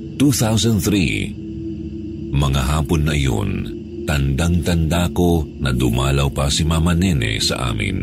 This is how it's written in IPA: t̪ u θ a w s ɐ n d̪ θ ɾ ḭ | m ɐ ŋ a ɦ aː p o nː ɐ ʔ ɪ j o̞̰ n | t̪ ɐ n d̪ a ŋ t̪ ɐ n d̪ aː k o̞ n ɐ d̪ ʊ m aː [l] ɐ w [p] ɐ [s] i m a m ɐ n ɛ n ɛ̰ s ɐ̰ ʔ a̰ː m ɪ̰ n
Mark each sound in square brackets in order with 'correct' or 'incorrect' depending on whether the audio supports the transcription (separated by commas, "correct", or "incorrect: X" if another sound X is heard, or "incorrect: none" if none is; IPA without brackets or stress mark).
correct, correct, correct